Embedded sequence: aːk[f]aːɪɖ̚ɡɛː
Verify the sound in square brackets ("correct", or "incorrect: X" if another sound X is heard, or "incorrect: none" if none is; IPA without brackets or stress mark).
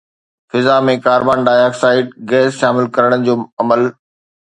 incorrect: s